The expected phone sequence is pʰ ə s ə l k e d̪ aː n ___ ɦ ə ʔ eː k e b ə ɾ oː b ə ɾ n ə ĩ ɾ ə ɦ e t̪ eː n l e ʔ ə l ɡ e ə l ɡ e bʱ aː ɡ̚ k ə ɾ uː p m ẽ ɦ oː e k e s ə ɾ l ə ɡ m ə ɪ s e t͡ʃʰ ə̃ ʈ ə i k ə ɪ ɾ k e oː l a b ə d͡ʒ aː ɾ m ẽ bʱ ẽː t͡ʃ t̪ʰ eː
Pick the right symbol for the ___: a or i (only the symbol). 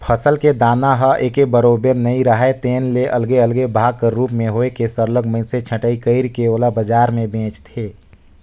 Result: a